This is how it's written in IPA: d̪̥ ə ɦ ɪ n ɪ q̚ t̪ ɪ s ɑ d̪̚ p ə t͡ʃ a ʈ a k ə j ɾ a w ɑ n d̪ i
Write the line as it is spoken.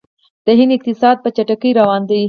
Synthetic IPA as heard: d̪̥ ə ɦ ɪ n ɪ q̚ t̪ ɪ s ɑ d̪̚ p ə t͡ʃ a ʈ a k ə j ɾ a w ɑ n d̪ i